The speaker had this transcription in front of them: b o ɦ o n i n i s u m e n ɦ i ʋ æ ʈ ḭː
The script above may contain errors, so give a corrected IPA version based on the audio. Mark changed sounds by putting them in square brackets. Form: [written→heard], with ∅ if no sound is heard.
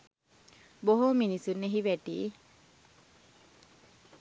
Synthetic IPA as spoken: b o ɦ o [n→m] i n i s u [m→n] e [n→∅] ɦ i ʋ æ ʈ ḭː